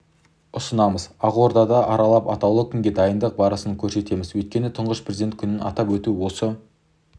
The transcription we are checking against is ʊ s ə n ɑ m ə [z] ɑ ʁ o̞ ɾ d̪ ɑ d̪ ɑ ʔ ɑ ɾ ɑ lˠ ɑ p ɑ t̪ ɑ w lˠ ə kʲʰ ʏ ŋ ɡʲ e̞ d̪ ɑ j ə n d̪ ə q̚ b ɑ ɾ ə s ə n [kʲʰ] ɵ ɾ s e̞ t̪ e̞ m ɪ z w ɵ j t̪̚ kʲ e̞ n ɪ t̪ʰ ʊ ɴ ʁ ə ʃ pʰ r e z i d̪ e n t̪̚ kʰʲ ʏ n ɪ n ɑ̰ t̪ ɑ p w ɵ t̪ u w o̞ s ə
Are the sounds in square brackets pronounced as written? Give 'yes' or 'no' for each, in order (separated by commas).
yes, yes